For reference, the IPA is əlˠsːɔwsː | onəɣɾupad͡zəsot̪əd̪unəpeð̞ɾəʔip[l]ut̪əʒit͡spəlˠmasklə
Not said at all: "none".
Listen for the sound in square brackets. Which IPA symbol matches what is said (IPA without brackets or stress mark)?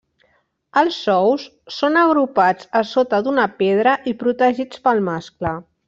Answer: ɾ